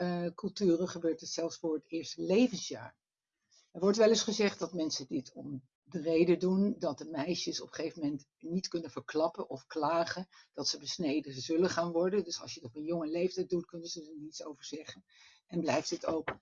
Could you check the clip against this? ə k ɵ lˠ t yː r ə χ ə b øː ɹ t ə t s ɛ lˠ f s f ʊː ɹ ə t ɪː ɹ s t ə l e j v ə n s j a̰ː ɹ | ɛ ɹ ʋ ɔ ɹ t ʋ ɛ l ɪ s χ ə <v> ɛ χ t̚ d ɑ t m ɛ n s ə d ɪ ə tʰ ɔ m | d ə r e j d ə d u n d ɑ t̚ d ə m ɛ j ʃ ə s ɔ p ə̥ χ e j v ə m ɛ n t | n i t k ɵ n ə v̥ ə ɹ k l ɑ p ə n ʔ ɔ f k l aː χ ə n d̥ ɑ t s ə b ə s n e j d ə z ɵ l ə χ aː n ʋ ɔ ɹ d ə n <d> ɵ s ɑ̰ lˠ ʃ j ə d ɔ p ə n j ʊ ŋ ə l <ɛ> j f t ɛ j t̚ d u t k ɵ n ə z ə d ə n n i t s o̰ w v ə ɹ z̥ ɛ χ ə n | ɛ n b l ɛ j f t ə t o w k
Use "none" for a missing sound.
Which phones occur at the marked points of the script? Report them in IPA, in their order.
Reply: z, d, e

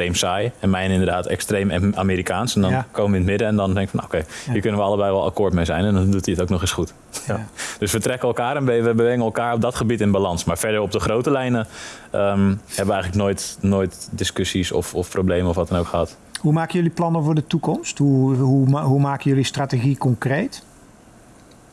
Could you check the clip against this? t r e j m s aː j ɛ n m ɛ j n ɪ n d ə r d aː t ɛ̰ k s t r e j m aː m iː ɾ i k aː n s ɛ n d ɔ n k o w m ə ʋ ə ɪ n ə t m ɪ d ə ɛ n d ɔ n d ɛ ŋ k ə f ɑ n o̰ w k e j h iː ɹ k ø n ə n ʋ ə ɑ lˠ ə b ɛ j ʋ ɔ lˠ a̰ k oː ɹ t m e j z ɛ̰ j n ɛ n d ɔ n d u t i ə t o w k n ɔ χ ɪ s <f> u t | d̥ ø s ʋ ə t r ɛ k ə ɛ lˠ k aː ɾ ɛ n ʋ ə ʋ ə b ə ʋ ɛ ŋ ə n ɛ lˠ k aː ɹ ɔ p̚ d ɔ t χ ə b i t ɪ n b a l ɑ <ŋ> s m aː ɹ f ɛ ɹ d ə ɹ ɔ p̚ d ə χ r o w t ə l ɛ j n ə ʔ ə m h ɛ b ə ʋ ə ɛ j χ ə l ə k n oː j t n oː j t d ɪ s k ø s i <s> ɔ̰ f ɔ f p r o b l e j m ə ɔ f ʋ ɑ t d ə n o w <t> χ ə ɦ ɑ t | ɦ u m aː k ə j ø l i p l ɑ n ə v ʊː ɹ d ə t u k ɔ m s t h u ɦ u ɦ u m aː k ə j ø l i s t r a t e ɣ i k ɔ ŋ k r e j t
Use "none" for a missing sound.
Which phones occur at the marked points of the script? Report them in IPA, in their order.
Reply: χ, n, s, k

